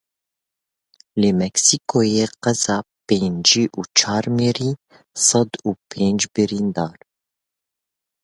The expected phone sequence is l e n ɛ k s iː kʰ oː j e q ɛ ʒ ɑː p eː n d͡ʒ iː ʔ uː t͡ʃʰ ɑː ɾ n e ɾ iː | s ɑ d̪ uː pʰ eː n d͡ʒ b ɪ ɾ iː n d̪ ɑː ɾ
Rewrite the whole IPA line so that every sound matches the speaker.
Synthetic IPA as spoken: l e m ɛ k s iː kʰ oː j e q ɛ z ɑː p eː n d͡ʒ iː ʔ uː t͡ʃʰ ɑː ɾ m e ɾ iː | s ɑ d̪ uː pʰ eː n d͡ʒ b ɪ ɾ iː n d̪ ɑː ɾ